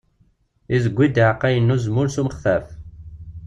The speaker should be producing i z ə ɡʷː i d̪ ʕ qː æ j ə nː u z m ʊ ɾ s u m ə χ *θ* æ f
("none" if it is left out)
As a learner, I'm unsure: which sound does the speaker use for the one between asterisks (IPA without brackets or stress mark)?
θ